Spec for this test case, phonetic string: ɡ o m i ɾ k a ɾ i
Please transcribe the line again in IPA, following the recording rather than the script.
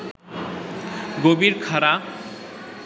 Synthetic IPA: ɡ o b i ɾ kʰ a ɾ a